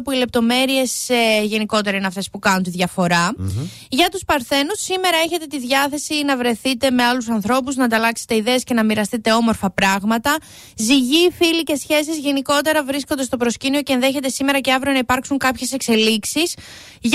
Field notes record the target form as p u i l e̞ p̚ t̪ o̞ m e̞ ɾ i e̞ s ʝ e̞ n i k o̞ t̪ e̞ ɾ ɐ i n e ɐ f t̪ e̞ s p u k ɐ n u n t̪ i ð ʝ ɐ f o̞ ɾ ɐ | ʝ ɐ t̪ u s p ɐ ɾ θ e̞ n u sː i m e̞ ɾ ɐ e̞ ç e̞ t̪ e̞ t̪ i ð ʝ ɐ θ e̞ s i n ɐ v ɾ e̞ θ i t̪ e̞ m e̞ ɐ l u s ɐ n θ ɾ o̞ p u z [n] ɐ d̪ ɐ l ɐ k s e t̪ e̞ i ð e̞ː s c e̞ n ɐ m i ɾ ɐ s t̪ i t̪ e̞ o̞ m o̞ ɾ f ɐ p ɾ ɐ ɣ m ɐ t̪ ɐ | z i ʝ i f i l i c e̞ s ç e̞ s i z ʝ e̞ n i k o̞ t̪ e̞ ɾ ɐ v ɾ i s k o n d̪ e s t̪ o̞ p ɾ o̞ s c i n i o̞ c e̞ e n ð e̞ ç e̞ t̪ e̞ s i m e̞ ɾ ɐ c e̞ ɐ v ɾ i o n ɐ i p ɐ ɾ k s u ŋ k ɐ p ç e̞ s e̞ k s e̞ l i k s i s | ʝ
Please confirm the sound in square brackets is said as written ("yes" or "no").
yes